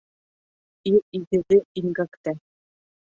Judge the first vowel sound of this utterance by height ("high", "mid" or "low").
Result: high